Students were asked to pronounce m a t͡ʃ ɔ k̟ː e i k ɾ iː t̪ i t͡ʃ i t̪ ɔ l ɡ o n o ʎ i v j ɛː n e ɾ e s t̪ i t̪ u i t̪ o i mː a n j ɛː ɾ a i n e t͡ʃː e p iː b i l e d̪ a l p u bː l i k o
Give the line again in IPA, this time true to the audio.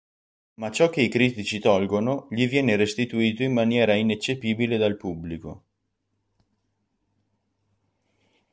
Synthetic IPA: m a t͡ʃ ɔ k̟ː e i k ɾ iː t̪ i t͡ʃ i t̪ ɔ l ɡ o n o ʎ i v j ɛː n e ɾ e s t̪ i t̪ u iː t̪ o i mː a n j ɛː ɾ a i n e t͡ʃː e p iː b i l e d̪ a l p u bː l i k o